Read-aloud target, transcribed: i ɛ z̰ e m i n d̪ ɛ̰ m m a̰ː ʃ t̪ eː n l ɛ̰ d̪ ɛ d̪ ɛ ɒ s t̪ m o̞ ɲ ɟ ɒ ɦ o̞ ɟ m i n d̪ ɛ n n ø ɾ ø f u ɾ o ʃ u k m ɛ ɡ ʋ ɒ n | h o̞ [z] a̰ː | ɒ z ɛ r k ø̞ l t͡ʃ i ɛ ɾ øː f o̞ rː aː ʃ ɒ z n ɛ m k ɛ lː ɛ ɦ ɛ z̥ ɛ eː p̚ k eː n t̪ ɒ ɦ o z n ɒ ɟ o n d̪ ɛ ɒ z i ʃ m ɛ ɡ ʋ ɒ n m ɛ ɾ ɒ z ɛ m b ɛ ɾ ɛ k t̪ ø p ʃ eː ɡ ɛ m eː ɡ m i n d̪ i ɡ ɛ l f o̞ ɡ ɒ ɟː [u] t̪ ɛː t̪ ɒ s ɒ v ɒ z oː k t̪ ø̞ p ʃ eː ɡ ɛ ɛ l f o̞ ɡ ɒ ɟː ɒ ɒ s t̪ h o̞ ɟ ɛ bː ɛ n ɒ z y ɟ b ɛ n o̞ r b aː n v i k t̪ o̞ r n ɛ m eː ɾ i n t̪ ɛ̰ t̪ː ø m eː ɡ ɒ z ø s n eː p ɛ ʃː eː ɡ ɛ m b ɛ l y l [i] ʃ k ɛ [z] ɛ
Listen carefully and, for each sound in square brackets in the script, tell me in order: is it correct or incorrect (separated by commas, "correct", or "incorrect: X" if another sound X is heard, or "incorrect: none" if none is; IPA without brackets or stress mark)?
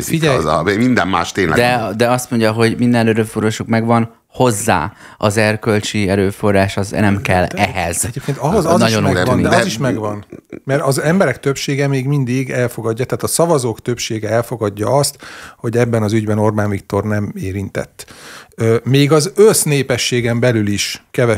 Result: incorrect: zː, incorrect: ɒ, correct, incorrect: v